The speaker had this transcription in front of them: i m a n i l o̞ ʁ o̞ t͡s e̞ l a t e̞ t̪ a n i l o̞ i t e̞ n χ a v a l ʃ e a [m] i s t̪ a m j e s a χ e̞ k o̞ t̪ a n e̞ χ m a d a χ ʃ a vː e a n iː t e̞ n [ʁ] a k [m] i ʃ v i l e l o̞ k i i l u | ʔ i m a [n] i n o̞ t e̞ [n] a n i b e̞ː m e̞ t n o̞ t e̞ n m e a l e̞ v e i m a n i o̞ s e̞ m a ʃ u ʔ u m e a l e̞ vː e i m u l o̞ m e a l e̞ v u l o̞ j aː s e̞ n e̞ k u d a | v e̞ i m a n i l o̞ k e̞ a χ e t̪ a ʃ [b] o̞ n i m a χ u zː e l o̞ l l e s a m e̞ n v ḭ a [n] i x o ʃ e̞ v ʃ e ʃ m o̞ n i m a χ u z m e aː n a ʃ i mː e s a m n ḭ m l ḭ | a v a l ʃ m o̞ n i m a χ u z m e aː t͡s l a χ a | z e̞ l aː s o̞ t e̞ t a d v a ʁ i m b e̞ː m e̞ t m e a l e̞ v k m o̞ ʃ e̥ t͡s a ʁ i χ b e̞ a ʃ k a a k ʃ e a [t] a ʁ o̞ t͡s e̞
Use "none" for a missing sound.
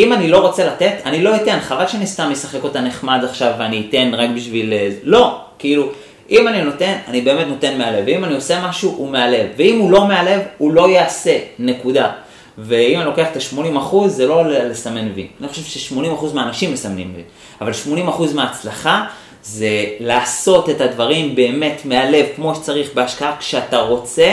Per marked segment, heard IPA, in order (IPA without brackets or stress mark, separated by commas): n, ʁ, b, n, n, m, n, t